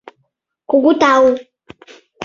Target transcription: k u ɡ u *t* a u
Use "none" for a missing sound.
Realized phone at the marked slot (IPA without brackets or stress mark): t